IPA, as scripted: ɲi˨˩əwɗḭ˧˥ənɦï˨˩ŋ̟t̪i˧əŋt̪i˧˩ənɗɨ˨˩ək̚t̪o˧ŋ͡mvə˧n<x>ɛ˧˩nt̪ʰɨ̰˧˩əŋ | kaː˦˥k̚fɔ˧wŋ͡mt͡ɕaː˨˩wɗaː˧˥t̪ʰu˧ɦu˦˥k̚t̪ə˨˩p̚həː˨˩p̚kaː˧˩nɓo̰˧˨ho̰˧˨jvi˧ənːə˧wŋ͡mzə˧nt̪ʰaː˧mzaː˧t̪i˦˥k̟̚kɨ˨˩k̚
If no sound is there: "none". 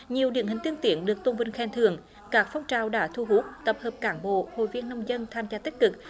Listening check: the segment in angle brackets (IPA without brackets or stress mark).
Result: x